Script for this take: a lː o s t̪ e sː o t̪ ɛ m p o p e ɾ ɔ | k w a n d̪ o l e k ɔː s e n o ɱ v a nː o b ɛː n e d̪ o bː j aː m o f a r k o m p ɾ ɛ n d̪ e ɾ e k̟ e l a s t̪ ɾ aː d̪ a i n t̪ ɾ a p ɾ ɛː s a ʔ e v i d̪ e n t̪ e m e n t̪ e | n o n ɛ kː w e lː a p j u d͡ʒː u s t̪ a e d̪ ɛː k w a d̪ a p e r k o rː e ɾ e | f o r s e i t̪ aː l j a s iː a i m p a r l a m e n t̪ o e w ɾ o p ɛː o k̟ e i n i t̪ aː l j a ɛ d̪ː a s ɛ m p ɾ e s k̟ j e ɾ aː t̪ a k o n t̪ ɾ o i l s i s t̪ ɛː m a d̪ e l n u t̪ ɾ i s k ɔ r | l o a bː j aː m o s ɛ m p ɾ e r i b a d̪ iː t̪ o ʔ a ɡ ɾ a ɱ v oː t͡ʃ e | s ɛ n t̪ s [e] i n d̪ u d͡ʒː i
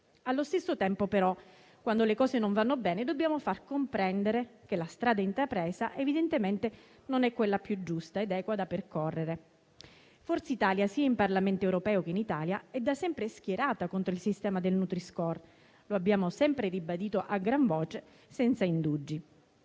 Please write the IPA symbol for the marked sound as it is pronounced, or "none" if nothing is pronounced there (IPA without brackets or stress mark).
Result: a